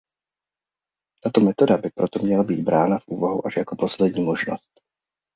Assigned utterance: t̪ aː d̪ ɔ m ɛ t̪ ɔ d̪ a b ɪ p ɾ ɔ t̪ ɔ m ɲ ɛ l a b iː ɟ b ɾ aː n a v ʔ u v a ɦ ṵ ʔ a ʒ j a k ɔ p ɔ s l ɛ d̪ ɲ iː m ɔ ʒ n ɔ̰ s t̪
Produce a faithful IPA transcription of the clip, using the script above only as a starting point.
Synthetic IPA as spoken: t̪ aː t̪ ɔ m ɛ t̪ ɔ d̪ a b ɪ p ɾ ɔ t̪ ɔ m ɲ ɛ l a b iː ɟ b ɾ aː n a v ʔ uː v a ɦ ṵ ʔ a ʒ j a k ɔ p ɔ s l ɛ d̪ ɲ iː m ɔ ʒ n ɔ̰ s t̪